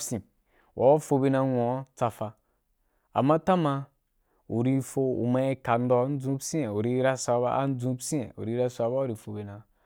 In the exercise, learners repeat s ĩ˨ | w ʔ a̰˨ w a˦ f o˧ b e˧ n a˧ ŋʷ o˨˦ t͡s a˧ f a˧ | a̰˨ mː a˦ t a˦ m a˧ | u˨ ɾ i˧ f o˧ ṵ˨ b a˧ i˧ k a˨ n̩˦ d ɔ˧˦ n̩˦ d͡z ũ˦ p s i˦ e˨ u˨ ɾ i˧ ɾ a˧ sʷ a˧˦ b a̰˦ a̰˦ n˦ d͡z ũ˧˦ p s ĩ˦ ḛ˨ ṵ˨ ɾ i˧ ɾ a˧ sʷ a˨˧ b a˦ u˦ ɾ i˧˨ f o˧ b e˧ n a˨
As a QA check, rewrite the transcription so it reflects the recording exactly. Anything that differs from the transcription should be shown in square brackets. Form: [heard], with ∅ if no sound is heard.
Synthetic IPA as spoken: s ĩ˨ | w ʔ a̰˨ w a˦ f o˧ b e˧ n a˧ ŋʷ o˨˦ t͡s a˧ f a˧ | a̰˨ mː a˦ t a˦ m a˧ | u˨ ɾ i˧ f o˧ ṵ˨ [m] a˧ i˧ k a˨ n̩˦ d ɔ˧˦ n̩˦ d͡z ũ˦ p s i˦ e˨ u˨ ɾ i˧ ɾ a˧ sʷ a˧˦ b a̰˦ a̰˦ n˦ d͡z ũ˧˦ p s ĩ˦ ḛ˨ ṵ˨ ɾ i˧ ɾ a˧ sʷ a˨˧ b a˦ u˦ ɾ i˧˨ f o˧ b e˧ n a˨